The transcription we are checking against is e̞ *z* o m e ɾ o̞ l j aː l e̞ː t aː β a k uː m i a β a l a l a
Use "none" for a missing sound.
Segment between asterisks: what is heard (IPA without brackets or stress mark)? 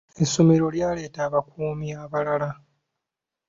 s